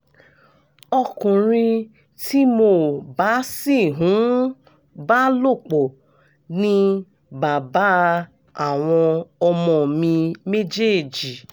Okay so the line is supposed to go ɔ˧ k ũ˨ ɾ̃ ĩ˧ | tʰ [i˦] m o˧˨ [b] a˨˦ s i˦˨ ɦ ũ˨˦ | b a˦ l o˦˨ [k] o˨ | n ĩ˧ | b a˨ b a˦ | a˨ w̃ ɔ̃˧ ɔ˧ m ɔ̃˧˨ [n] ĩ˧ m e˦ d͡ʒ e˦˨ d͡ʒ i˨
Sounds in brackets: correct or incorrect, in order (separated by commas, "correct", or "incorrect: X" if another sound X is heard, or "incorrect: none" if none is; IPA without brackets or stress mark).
correct, correct, incorrect: k͡p, incorrect: m